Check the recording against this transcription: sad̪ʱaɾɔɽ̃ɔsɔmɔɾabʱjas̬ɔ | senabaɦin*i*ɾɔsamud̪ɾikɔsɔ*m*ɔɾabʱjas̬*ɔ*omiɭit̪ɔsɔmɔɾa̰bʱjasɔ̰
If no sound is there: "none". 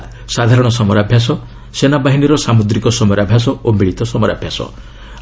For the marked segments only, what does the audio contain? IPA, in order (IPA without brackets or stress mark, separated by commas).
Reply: i, m, ɔ